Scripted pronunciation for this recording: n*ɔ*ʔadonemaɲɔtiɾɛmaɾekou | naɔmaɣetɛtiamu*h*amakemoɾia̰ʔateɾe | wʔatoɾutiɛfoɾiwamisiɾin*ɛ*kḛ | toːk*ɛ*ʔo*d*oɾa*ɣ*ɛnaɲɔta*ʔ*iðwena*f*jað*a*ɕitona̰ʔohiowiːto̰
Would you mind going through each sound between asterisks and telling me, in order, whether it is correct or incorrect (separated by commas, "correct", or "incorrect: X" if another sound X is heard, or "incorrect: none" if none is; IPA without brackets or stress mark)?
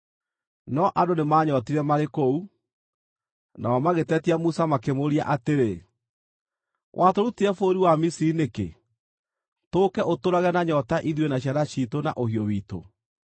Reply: correct, incorrect: s, incorrect: e, correct, incorrect: t, correct, correct, incorrect: ɕ, correct